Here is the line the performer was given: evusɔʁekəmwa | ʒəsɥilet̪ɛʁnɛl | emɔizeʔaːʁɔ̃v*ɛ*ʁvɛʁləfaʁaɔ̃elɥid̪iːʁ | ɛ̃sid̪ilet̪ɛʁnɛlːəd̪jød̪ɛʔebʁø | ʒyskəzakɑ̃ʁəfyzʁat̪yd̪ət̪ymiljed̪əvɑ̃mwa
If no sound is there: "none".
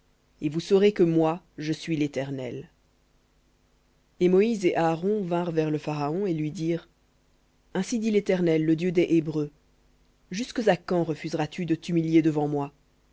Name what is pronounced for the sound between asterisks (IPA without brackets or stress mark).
ɛ̃